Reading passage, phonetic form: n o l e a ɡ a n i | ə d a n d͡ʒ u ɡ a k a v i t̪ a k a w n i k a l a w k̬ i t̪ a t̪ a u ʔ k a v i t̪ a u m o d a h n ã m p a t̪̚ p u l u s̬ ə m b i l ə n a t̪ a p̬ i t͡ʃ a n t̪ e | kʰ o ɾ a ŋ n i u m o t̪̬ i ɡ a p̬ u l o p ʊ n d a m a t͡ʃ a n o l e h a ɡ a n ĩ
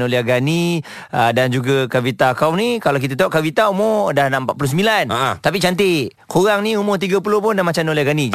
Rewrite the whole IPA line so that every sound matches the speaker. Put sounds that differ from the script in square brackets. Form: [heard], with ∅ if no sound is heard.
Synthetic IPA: n o l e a ɡ a n i | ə d a n d͡ʒ u ɡ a k a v i t̪ a k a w n i k a l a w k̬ i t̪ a t̪ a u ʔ k a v i t̪ a u m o d a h n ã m p a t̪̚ p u l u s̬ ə m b i l [a] n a t̪ a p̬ i t͡ʃ a n t̪ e | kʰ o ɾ a ŋ n i u m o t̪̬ i ɡ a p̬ u l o p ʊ n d a m a t͡ʃ a n o l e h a ɡ a n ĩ